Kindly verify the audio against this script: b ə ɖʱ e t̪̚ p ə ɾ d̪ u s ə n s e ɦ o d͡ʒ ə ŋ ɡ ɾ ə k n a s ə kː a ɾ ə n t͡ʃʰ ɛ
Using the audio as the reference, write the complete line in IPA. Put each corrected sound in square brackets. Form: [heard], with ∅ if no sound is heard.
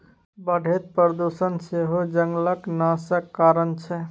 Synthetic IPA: b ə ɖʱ e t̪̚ p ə ɾ d̪ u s ə n s e ɦ o d͡ʒ ə ŋ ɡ [l] ə k n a s ə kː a ɾ ə n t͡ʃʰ ɛ